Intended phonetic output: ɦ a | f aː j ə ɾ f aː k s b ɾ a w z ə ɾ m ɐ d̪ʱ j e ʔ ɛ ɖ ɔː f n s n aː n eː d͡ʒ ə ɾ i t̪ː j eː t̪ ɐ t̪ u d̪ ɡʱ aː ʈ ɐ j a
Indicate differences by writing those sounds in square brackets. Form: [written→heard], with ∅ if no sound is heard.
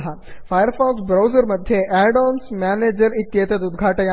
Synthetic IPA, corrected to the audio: ɦ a | f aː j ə ɾ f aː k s b ɾ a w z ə ɾ m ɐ d̪ʱ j e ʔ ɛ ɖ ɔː [f→∅] n s [n→m] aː n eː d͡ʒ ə ɾ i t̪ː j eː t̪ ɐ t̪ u d̪ ɡʱ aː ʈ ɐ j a